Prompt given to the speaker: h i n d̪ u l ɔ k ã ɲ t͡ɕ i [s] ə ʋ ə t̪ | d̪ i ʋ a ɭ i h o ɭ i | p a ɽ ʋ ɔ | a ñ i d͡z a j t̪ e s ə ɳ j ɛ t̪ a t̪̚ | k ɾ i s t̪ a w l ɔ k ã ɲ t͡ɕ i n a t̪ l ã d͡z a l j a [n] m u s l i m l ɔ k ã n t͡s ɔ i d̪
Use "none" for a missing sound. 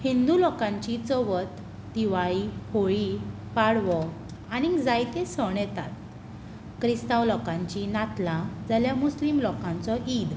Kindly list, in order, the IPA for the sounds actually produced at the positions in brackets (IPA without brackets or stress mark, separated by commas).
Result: t͡s, none